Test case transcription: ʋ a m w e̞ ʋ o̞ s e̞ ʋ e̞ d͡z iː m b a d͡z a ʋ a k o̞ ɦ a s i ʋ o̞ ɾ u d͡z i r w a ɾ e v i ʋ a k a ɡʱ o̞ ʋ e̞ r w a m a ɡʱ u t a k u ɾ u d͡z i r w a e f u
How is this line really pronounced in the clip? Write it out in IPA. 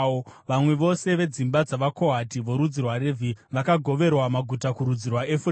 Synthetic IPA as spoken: ʋ a m w e̞ ʋ o̞ s e̞ ʋ e̞ d͡z i m b a d͡z a ʋ a k o̞ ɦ a t i ʋ o̞ ɾ u d͡z i r w a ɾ e v i ʋ a k a ɡʱ o̞ ʋ e̞ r w a m a ɡʱ u t a k u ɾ u d͡z i r w a e f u